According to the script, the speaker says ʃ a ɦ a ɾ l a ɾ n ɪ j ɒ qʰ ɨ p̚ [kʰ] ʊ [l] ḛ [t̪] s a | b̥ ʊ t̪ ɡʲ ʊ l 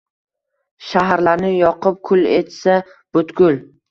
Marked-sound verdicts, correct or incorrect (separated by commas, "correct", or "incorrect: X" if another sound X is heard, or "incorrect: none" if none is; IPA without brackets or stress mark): correct, correct, correct